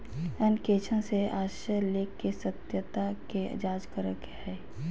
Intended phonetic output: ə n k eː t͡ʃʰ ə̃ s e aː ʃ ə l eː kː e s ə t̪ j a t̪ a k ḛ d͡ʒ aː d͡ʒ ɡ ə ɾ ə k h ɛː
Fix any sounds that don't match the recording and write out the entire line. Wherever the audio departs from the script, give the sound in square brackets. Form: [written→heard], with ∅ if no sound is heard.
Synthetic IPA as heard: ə n k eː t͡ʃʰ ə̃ s e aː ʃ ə l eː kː e s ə t̪ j [a→ə] t̪ a k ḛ d͡ʒ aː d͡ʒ [ɡ→k] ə ɾ ə k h ɛː